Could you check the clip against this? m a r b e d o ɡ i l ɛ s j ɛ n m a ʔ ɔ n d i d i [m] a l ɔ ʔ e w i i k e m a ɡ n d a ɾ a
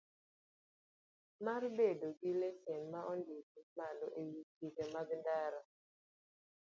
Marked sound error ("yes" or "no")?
no